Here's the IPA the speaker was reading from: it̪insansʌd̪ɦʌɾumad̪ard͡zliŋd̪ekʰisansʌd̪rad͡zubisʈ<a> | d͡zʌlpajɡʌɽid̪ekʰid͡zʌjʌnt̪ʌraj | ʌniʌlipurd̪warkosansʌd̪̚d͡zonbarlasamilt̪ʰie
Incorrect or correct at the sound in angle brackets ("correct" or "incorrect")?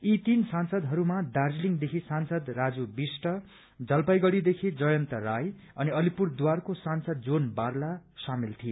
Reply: incorrect